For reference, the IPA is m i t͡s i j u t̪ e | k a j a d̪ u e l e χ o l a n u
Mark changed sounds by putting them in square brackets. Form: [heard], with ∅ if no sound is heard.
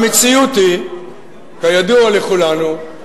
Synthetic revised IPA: m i t͡s i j u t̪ [i] | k a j a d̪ u [a] l e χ [u] l a n u